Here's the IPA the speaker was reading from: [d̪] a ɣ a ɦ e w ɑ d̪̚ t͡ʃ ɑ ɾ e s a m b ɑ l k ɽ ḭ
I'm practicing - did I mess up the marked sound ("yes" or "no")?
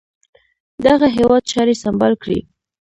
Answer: no